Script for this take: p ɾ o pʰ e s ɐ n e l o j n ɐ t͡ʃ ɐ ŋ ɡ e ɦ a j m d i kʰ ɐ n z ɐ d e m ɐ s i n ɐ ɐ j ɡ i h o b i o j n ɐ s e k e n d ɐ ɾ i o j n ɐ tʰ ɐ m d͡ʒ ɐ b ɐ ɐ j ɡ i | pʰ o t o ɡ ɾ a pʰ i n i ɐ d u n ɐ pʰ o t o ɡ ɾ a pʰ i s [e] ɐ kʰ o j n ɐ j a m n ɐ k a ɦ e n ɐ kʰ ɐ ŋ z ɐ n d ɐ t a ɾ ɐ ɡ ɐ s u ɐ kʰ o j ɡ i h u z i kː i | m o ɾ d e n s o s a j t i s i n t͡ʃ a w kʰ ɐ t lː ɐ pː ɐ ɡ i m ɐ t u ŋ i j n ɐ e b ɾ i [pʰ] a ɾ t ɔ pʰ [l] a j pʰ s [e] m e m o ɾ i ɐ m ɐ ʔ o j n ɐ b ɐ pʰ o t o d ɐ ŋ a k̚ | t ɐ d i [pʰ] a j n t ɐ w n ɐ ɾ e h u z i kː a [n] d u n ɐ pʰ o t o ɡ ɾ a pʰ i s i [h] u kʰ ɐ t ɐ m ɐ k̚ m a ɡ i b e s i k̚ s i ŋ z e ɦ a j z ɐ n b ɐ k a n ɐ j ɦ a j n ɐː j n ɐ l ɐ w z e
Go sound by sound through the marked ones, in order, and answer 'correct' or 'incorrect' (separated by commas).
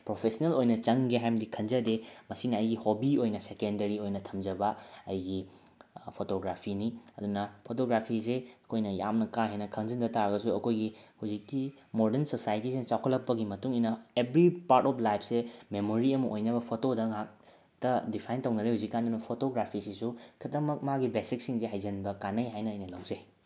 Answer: correct, incorrect, correct, correct, correct, correct, incorrect